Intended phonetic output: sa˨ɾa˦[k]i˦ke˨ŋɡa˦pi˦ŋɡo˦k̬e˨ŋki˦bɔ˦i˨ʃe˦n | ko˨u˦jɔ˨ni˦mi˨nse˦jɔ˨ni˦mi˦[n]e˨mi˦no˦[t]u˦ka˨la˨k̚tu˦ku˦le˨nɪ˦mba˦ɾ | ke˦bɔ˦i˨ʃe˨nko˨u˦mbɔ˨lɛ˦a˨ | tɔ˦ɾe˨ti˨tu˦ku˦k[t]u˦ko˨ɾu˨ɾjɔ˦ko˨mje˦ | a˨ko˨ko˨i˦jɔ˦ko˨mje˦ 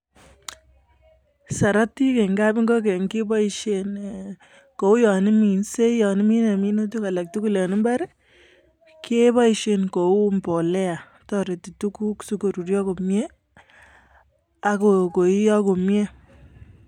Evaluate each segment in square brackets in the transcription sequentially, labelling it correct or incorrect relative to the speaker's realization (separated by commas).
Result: incorrect, correct, correct, incorrect